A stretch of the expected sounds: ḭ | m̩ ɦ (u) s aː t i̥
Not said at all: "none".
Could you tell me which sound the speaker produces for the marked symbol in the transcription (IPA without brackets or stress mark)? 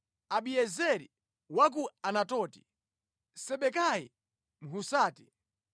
u